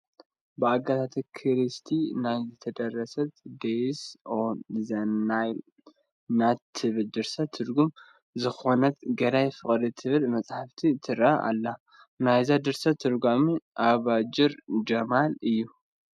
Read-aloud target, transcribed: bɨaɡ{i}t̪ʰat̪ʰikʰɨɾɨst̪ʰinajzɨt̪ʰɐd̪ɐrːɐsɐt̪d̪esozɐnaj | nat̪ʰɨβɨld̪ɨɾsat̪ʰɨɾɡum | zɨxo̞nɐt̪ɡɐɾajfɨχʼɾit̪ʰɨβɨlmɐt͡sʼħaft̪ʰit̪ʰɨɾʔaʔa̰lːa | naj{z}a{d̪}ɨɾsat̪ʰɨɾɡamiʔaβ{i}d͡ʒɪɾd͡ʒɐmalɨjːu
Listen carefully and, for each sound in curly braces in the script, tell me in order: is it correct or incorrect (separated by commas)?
incorrect, correct, correct, incorrect